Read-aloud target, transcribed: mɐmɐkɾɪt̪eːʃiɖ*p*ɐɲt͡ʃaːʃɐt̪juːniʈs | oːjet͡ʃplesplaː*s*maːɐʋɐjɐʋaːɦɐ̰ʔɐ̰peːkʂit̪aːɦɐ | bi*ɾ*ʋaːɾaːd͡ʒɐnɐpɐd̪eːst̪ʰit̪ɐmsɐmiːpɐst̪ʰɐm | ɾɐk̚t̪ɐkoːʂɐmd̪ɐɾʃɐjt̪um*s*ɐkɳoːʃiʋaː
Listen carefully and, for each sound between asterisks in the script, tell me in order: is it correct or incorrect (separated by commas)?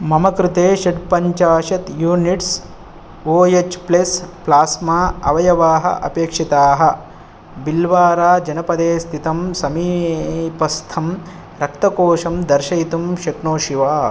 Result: correct, correct, incorrect, incorrect